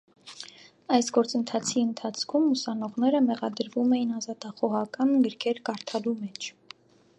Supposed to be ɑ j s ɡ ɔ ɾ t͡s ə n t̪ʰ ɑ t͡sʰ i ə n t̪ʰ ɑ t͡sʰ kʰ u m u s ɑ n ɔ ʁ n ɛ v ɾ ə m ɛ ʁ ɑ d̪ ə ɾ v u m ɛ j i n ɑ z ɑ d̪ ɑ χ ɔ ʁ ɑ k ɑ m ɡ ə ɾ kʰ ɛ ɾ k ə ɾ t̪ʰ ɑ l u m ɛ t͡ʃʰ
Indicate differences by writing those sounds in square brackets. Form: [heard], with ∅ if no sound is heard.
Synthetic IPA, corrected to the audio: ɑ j s ɡ ɔ ɾ t͡s ə n t̪ʰ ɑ t͡sʰ i ə n t̪ʰ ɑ t͡sʰ kʰ u m u s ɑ n ɔ ʁ n ɛ [∅] ɾ ə m ɛ ʁ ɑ d̪ ə ɾ v u m ɛ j i n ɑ z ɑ [t̪] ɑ χ ɔ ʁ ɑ k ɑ [n] ɡ ə ɾ kʰ ɛ ɾ k [ɑ] ɾ t̪ʰ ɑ l u m ɛ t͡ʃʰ